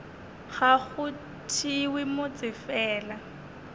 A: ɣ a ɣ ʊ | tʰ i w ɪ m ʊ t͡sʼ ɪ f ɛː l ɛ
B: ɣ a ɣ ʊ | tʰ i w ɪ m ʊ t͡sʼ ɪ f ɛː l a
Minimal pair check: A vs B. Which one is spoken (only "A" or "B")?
B